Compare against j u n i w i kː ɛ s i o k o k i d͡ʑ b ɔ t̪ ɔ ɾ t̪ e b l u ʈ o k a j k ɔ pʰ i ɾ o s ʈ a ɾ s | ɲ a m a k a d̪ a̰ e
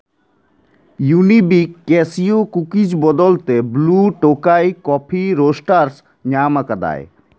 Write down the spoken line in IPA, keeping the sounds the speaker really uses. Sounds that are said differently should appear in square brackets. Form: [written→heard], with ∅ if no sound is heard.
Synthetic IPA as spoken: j u n i [w→b] i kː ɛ s i o k [o→u] k i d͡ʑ b ɔ [t̪→d̪] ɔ [ɾ→l] t̪ e b l u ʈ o k a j k ɔ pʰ i ɾ o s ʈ a ɾ s | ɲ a m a k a d̪ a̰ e